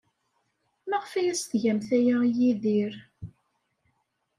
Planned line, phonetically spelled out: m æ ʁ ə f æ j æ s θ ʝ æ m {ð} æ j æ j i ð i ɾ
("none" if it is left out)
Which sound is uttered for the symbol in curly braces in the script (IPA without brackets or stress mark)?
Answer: θ